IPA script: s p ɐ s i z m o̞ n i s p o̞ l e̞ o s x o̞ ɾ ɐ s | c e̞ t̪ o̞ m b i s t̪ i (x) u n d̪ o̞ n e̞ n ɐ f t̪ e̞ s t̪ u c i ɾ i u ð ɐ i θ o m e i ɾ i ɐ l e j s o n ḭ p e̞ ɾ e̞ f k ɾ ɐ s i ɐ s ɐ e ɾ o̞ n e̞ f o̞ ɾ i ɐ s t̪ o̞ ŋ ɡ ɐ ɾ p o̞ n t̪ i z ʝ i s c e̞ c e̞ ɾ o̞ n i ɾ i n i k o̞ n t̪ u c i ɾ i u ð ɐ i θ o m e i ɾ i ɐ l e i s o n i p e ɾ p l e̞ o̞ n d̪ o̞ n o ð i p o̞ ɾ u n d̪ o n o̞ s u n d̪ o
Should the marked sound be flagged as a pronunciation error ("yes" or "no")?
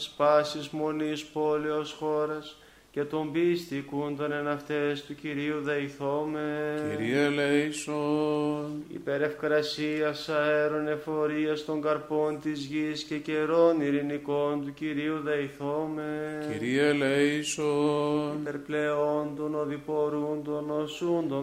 yes